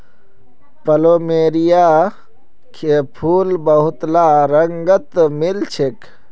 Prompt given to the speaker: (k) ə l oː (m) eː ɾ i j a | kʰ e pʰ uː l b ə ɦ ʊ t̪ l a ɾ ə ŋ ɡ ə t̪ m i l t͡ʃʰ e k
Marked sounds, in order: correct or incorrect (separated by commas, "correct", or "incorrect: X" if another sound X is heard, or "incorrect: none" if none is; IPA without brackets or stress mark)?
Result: incorrect: p, correct